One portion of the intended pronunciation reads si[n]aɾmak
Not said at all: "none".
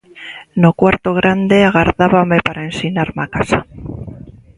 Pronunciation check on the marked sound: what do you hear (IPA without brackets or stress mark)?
n